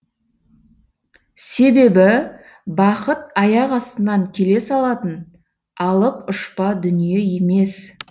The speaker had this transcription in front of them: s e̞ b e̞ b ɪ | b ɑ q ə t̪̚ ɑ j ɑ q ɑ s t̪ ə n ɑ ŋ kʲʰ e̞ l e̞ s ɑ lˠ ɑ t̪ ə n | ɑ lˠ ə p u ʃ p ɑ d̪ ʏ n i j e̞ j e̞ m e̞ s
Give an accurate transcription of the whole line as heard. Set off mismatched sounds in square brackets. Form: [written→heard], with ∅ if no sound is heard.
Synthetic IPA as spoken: s e̞ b e̞ b ɪ | b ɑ q ə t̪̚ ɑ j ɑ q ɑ s t̪ ə n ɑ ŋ kʲʰ e̞ l e̞ s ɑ lˠ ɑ t̪ ə n | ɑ lˠ ə p [u→ʊ] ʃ p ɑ d̪ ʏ n i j e̞ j e̞ m e̞ s